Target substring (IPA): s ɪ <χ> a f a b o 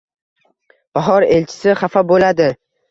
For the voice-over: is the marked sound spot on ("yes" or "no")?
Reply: yes